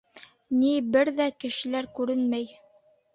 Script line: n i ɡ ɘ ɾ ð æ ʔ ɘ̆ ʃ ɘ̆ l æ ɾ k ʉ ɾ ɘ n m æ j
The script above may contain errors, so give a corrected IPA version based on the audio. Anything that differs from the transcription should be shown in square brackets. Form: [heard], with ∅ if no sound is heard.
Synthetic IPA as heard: n i [b] ɘ ɾ ð æ [k] ɘ̆ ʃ ɘ̆ l æ ɾ k ʉ ɾ ɘ n m æ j